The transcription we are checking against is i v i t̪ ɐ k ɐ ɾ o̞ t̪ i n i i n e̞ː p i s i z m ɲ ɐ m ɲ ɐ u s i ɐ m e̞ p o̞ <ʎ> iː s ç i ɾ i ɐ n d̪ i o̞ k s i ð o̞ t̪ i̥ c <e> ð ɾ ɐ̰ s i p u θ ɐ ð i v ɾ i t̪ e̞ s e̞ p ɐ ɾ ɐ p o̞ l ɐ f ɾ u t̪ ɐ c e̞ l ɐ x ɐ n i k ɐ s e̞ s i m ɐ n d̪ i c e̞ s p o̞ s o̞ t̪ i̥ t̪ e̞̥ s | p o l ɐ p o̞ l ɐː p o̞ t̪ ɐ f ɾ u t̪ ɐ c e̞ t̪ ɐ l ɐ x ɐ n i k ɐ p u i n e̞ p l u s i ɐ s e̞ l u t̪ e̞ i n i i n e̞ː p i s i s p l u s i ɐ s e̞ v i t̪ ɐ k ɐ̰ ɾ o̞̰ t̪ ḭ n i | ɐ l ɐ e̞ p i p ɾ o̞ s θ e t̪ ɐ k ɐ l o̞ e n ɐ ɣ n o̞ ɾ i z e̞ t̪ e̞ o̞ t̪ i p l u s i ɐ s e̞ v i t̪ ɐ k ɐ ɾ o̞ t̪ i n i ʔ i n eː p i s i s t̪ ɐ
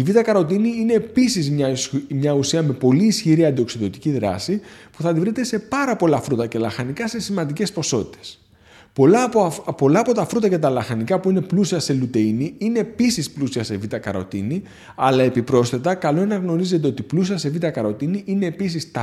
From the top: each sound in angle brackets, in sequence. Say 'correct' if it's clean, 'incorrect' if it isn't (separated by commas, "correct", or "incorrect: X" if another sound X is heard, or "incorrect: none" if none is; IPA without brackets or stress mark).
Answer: incorrect: l, incorrect: i